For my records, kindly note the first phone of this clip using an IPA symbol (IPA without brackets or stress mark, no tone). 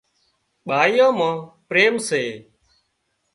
ɓ